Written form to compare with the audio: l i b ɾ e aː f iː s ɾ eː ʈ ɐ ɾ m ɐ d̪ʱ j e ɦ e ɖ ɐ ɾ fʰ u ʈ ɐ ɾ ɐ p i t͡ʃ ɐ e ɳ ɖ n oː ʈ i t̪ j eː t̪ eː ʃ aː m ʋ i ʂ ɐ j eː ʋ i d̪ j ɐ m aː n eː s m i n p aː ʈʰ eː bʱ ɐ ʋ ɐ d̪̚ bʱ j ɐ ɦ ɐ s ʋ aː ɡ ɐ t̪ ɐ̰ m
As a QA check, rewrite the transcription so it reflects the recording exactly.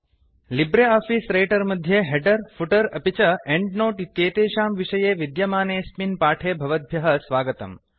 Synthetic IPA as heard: l i b ɾ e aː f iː s ɾ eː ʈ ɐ ɾ m ɐ d̪ʱ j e ɦ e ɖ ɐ ɾ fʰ u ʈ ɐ ɾ ɐ p i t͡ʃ ɐ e ɳ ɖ n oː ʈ i t̪ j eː t̪ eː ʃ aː m ʋ i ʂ ɐ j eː ʋ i d̪ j ɐ m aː n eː s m i n p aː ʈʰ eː bʱ ɐ ʋ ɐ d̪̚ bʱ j ɐ ɦ ɐ s ʋ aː ɡ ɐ t̪ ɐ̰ m